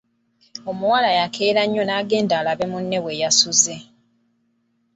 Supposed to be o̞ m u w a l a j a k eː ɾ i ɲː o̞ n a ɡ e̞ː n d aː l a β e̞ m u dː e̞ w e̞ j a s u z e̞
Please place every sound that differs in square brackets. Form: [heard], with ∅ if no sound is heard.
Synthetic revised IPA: o̞ m u w a l a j a k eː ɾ [a] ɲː o̞ n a ɡ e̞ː n d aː l a β e̞ m u [nː] e̞ w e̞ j a s u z e̞